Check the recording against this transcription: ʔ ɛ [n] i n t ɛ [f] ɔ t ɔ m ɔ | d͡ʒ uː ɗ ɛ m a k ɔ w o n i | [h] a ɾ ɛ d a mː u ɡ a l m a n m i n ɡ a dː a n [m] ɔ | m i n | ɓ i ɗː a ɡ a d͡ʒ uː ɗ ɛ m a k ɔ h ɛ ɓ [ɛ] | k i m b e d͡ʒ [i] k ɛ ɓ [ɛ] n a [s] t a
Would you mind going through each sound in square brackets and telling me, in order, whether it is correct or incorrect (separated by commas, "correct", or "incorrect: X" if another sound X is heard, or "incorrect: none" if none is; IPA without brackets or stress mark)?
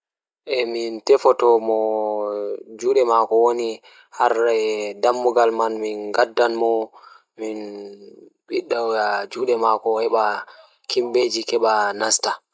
incorrect: m, correct, correct, correct, incorrect: a, correct, incorrect: a, correct